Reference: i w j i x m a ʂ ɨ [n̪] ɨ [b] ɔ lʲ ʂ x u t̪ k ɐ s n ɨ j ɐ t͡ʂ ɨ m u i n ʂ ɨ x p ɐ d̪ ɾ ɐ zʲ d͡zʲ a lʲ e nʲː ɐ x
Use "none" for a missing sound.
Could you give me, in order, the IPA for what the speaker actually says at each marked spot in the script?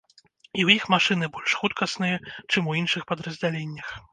n̪, b

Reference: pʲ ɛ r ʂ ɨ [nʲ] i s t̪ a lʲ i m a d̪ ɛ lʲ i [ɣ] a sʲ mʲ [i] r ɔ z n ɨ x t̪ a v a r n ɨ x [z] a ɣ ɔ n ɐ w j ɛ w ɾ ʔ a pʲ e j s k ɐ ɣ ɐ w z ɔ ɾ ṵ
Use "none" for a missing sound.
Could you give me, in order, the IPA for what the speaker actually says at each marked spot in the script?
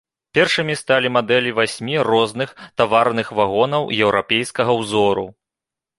mʲ, v, i, v

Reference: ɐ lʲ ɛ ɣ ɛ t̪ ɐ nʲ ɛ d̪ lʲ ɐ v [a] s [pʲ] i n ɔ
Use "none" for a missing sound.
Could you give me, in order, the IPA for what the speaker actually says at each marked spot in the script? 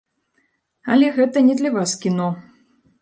a, kʲ

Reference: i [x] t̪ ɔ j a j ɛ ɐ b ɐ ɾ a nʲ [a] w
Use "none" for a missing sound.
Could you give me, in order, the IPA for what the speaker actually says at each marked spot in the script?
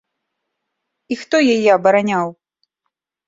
x, a

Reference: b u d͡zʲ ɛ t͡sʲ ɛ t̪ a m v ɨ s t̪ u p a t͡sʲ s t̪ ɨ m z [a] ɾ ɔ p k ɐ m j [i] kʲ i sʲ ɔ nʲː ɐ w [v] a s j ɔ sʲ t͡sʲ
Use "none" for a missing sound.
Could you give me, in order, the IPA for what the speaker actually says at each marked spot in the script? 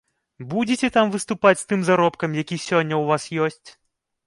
a, a, v

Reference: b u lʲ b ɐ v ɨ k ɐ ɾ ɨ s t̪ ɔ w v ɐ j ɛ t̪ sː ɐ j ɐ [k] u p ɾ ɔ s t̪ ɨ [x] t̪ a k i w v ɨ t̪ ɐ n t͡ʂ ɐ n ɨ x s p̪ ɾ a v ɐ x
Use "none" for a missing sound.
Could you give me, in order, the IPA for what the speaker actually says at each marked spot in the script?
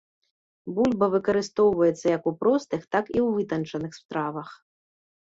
k, x

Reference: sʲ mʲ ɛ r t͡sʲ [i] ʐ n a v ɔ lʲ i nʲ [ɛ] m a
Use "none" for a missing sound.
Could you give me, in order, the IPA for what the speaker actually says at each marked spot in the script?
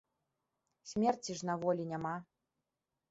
i, a

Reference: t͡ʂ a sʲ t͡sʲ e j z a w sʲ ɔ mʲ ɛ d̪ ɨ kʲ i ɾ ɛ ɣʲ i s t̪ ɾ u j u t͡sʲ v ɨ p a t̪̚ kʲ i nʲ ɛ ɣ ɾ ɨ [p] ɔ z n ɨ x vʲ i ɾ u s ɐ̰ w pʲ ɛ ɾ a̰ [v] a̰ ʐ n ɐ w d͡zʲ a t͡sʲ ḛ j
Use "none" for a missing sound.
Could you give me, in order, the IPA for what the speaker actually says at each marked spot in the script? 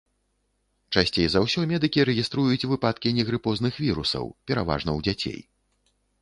p, v

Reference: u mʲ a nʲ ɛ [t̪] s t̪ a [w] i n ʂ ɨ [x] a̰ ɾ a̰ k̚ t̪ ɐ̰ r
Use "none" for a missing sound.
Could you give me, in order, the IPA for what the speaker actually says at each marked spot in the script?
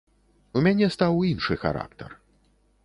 none, w, x

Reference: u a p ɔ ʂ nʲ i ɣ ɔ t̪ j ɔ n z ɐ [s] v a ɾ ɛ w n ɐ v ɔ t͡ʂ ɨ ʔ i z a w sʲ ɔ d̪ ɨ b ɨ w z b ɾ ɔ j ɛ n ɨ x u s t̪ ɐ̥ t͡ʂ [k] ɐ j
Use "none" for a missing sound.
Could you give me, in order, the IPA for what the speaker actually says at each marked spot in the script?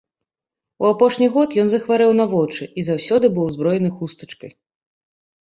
x, k

